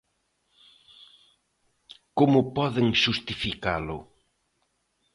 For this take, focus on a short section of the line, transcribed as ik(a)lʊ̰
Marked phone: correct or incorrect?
correct